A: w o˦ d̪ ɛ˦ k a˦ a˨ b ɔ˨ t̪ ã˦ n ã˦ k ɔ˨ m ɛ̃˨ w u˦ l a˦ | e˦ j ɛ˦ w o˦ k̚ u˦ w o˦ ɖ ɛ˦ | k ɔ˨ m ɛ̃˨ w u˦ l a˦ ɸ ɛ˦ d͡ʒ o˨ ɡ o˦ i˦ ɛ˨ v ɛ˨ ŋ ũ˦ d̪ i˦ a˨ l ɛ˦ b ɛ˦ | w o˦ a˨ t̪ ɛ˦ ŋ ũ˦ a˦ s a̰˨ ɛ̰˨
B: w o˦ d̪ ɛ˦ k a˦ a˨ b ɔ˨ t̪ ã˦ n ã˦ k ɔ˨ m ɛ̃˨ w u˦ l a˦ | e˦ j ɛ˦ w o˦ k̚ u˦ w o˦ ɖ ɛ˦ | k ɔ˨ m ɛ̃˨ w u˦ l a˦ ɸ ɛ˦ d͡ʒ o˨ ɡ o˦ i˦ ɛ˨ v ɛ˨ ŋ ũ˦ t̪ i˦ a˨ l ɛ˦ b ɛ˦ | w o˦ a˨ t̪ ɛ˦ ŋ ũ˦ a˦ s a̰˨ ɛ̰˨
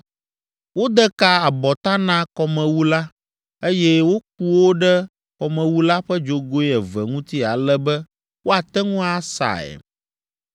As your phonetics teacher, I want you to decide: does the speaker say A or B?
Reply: B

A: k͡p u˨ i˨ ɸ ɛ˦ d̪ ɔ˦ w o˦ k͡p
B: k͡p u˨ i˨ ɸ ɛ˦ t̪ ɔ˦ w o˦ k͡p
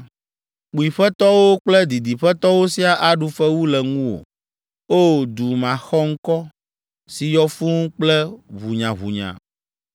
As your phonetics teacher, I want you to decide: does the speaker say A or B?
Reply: B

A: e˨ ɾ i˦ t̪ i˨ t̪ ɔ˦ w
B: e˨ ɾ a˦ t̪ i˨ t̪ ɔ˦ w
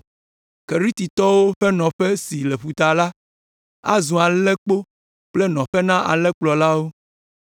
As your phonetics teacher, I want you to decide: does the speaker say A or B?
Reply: A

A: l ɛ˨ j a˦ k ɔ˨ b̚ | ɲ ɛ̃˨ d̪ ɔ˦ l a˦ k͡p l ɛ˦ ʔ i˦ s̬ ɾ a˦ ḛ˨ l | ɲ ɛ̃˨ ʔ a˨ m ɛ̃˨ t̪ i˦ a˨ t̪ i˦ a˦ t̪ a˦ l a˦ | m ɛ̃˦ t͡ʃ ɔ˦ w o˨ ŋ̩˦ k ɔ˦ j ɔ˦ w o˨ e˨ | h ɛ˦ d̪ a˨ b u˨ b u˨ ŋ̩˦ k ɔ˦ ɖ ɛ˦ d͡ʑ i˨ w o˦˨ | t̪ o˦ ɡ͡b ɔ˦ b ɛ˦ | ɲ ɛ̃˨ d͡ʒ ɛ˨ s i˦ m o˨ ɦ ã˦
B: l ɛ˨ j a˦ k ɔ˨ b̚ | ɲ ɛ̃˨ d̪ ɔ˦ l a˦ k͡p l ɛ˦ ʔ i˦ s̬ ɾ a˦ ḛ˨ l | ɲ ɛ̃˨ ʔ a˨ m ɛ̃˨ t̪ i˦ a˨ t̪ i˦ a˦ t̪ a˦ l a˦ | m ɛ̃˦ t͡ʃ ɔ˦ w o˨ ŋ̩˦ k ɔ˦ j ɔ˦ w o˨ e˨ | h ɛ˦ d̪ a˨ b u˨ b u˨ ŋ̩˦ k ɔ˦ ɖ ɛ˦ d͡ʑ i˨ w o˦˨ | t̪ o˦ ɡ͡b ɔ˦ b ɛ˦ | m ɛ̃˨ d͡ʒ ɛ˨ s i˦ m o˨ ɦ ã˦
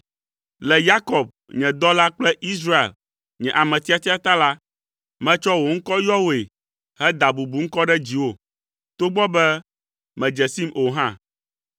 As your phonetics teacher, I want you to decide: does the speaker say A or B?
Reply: B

